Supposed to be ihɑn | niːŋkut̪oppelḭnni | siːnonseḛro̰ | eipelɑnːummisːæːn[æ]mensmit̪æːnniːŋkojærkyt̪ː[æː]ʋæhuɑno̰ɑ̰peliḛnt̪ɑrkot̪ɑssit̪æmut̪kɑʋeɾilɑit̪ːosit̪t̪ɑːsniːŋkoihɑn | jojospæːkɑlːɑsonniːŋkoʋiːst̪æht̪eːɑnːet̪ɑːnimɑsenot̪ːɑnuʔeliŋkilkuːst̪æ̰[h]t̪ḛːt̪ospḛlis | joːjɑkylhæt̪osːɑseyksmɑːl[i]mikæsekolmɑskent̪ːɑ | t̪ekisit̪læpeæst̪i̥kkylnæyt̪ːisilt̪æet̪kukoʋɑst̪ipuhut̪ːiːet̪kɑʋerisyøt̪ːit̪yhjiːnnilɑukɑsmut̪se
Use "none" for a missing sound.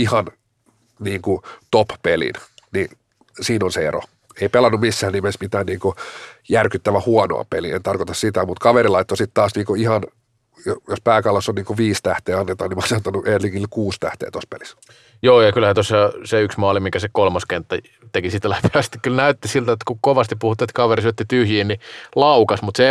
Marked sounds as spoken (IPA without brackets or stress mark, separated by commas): i, æ, h, i